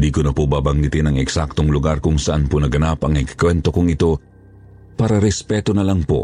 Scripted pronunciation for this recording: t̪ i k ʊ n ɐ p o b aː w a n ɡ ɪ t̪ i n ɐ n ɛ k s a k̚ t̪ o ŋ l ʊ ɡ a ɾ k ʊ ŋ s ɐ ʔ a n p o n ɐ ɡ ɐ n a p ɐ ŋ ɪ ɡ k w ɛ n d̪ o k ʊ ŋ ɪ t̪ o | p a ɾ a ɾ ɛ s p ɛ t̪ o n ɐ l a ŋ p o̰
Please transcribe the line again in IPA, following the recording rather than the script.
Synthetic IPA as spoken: d̪ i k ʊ n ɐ p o b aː b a ŋ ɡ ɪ t̪ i n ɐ ŋ ɛ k s a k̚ t̪ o ŋ l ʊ ɡ a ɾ k ʊ ŋ s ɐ ʔ a n p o n ɐ ɡ ɐ n a p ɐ ŋ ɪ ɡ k w ɛ n t̪ o k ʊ ŋ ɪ t̪ o | p a ɾ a ɾ ɛ s p ɛ t̪ o n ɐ l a ŋ p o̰